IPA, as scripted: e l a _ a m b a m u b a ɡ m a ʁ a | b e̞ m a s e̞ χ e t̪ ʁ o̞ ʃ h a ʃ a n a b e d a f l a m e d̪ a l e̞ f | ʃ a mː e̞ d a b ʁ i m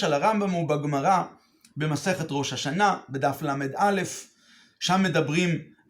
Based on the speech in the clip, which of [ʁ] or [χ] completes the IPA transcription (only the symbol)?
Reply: ʁ